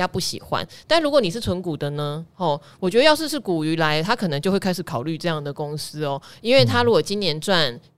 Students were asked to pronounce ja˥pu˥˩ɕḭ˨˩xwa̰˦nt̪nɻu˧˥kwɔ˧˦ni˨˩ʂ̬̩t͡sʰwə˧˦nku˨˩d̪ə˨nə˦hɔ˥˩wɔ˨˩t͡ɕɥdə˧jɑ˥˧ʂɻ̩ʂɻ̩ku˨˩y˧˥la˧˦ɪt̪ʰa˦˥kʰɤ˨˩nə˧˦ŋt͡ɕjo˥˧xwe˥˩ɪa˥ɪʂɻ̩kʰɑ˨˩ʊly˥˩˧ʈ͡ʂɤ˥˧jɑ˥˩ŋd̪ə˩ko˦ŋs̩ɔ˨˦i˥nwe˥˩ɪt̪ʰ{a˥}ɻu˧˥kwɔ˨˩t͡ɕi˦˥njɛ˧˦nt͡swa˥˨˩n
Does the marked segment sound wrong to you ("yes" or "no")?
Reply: no